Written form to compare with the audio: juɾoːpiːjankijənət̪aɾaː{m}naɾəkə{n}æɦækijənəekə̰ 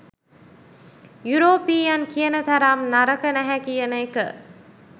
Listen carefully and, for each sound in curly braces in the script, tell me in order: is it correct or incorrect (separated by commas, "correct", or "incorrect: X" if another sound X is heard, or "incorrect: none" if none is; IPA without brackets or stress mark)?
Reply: correct, correct